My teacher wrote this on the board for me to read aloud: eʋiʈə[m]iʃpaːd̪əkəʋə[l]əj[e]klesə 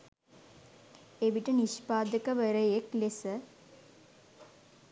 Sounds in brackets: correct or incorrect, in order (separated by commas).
incorrect, incorrect, correct